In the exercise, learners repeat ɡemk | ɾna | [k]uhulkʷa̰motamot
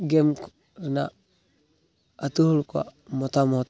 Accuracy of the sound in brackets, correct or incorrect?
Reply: incorrect